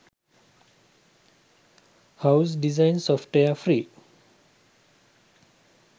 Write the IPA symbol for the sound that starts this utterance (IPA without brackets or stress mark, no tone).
h